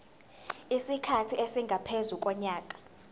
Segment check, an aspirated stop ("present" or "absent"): present